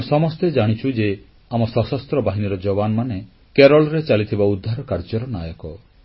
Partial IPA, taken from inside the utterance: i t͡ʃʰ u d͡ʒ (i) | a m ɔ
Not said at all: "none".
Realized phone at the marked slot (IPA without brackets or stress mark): e